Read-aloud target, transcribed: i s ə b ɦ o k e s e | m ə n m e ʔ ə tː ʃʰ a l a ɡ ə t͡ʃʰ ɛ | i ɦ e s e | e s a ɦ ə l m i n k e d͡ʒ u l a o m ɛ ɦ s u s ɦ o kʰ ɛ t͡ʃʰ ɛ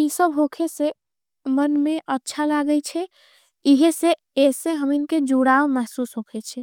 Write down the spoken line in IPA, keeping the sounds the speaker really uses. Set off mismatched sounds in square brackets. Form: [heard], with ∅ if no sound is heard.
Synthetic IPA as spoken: i s ə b ɦ o [kʰ] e s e | m ə n m e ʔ ə tː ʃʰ a l a ɡ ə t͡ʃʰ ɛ | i ɦ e s e | e s [e] ɦ ə [∅] m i n k e d͡ʒ u [ɽ] a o m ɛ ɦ s u s ɦ o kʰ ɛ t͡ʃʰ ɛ